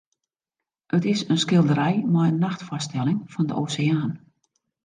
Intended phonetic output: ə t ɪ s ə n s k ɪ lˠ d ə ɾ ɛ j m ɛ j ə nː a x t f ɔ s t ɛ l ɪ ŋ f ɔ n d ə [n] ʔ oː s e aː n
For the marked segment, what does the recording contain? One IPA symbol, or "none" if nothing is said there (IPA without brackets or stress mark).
none